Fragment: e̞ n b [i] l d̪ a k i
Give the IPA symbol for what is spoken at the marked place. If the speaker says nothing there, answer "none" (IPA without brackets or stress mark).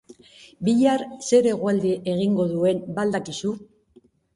a